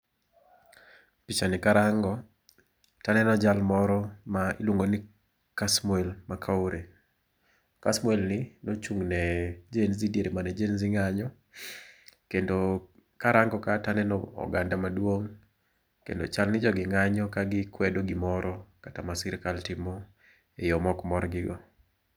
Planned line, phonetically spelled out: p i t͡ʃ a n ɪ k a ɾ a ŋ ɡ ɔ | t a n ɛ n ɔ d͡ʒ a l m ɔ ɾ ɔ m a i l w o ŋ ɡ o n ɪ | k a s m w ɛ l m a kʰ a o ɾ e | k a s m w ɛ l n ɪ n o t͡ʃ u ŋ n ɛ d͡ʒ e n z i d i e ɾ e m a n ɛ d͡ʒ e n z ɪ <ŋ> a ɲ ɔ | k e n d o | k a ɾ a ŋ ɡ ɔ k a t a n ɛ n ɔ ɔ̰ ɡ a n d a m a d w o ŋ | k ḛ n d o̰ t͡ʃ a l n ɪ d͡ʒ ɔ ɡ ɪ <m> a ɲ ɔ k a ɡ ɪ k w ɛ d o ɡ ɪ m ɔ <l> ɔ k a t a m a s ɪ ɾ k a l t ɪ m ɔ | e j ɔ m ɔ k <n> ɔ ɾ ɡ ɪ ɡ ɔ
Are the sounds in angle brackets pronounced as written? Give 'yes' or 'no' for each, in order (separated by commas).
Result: yes, no, no, no